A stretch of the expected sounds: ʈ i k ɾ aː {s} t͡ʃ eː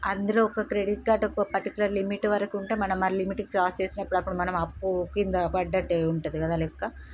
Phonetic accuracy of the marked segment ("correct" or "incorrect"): correct